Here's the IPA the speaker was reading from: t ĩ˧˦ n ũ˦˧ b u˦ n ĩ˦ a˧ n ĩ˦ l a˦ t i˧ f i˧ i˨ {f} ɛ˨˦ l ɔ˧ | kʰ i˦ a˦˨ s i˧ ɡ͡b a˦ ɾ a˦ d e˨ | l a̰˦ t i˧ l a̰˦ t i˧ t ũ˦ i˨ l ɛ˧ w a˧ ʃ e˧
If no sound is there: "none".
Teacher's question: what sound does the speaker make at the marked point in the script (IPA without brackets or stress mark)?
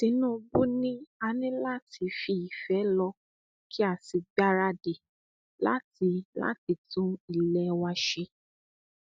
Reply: f